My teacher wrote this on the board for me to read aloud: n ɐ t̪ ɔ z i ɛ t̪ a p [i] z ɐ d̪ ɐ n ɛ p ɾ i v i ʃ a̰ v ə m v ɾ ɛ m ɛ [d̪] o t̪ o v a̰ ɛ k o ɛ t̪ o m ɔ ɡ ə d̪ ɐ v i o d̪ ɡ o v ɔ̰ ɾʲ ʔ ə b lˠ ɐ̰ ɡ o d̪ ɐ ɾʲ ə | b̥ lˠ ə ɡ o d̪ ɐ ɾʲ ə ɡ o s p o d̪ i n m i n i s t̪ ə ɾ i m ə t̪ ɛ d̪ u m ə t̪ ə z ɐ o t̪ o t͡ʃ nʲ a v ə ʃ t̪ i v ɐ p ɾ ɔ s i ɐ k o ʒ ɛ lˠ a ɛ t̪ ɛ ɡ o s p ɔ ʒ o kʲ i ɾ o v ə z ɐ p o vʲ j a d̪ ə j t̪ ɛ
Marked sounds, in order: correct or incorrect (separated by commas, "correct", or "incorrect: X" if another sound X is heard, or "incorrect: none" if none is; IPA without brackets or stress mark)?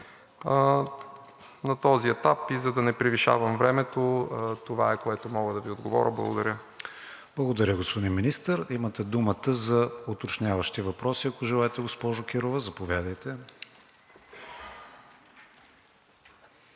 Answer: correct, incorrect: t̪